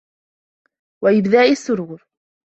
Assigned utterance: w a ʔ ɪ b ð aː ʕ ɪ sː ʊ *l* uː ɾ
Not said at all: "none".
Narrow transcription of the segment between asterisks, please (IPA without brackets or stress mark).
ɾ